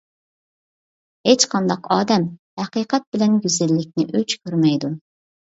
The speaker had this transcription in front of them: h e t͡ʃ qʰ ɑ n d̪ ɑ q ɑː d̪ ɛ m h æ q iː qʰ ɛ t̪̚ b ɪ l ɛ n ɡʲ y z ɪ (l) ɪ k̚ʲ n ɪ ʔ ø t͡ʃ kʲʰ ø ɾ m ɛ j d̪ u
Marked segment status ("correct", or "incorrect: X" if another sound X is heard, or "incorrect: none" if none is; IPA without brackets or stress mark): incorrect: lː